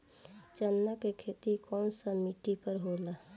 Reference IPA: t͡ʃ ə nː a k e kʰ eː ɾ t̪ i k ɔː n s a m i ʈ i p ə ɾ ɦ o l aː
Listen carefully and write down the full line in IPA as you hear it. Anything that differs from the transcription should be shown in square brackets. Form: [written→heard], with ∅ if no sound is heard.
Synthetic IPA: t͡ʃ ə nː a k e kʰ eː [ɾ→∅] t̪ i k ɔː n s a m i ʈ i p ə ɾ ɦ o l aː